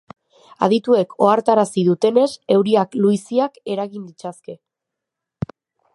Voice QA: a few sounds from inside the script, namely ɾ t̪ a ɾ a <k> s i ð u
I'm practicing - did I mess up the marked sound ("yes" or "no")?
yes